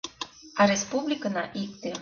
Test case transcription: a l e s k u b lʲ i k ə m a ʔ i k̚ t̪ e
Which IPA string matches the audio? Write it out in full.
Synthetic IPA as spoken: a ɾ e s p u b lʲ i k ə n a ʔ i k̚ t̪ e